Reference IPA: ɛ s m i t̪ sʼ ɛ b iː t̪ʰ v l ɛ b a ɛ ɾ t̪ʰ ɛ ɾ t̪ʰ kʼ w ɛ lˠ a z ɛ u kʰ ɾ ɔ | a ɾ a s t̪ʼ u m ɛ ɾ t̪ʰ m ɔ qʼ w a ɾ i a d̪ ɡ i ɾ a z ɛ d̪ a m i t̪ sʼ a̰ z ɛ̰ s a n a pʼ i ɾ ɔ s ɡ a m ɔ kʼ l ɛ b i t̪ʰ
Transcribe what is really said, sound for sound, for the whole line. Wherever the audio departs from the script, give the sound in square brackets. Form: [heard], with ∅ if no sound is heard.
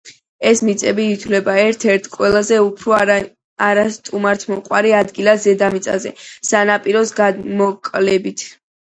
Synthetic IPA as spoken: ɛ s m i t̪ sʼ ɛ b iː t̪ʰ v l ɛ b a ɛ ɾ t̪ʰ ɛ ɾ t̪ʰ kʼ w ɛ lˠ a z ɛ u [pʰ] ɾ ɔ | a ɾ a s t̪ʼ u m [a] ɾ t̪ʰ m ɔ qʼ w a ɾ i a d̪ ɡ i [l] a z ɛ d̪ a m i t̪ sʼ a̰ z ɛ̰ s a n a pʼ i ɾ ɔ s ɡ a m ɔ kʼ l ɛ b i t̪ʰ

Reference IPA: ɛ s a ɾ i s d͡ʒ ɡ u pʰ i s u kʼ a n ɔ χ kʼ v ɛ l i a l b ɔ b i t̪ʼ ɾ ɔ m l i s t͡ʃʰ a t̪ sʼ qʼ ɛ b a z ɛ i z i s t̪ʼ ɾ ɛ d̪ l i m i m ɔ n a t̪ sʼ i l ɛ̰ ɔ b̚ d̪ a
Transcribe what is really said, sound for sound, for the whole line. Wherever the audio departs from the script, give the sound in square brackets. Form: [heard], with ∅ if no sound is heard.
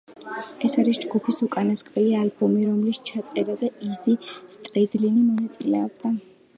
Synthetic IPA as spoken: ɛ s a ɾ i s d͡ʒ ɡ u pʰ i s u kʼ a n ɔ [s] kʼ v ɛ l i a l b ɔ [m] i [∅] ɾ ɔ m l i s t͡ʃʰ a t̪ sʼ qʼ ɛ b a z ɛ i z i s t̪ʼ ɾ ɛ d̪ l i [n] i m ɔ n a t̪ sʼ i l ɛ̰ ɔ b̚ d̪ a

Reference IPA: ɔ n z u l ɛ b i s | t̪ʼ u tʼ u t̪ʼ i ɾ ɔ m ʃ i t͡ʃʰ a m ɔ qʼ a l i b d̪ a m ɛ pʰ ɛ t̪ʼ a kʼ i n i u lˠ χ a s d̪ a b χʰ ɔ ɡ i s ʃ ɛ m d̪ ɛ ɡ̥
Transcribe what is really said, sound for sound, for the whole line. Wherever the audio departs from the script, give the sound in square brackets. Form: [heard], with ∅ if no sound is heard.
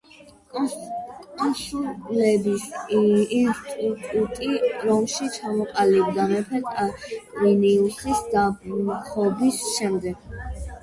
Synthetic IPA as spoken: ɔ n [s] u l ɛ b i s | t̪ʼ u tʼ u t̪ʼ i ɾ ɔ m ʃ i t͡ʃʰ a m ɔ qʼ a l i b d̪ a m ɛ pʰ ɛ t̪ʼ a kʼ i n i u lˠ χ [i] s d̪ a b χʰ ɔ [b] i s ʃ ɛ m d̪ ɛ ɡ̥

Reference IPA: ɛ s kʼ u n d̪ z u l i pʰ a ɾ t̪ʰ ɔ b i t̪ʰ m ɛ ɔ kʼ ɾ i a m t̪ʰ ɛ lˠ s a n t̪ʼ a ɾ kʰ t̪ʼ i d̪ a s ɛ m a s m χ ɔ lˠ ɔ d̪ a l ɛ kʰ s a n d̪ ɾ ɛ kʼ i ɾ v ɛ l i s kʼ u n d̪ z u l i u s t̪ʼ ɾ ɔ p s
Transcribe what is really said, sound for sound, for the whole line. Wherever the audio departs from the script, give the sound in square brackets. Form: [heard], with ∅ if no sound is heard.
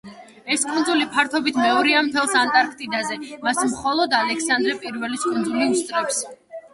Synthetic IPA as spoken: ɛ s kʼ u n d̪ z u l i pʰ a ɾ t̪ʰ ɔ b i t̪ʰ m ɛ ɔ [∅] ɾ i a m t̪ʰ ɛ lˠ s a n t̪ʼ a ɾ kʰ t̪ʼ i d̪ a [z] ɛ m a s m χ ɔ lˠ ɔ d̪ a l ɛ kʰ s a n d̪ ɾ ɛ [pʼ] i ɾ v ɛ l i s kʼ u n d̪ z u l i u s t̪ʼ ɾ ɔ p s

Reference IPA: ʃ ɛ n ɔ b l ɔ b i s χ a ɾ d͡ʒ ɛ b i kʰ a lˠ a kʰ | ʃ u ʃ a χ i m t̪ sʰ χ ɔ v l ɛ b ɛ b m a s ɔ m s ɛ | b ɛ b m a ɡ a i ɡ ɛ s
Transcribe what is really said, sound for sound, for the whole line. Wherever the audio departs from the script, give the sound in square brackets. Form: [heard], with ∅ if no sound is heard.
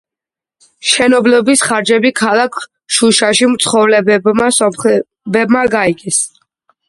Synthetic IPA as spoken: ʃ ɛ n ɔ b l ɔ b i s χ a ɾ d͡ʒ ɛ b i kʰ a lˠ a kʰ | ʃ u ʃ a [ʃ] i m t̪ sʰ χ ɔ v l ɛ b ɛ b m a s ɔ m [χ] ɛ | b ɛ b m a ɡ a i ɡ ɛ s

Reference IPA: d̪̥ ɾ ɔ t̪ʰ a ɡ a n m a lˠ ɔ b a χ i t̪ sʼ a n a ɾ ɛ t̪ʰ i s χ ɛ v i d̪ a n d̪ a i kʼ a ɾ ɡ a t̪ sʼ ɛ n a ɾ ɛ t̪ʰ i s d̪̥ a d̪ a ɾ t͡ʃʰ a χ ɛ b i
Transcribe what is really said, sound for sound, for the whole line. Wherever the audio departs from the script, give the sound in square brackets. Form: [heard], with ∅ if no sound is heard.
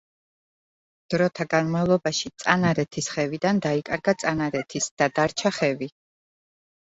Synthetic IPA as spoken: d̪̥ ɾ ɔ t̪ʰ a ɡ a n m a lˠ ɔ b a [ʃ] i t̪ sʼ a n a ɾ ɛ t̪ʰ i s χ ɛ v i d̪ a n d̪ a i kʼ a ɾ ɡ a t̪ sʼ [a] n a ɾ ɛ t̪ʰ i s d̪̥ a d̪ a ɾ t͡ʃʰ a χ ɛ [v] i

